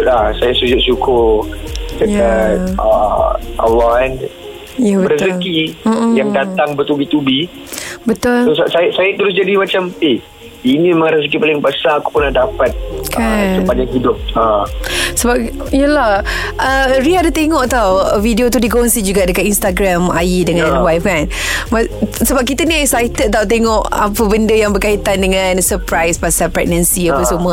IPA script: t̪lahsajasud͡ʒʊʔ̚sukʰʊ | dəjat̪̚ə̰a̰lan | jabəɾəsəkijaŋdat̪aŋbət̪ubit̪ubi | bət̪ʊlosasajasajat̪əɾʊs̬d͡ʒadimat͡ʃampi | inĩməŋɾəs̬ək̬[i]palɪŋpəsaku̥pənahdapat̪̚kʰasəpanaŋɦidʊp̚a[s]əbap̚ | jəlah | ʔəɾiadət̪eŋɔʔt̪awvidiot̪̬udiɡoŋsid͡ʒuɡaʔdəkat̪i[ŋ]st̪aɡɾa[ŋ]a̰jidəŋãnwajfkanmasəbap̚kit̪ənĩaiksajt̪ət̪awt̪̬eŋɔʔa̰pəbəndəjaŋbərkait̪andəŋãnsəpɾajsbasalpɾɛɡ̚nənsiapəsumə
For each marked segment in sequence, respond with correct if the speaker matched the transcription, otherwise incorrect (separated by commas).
correct, correct, incorrect, incorrect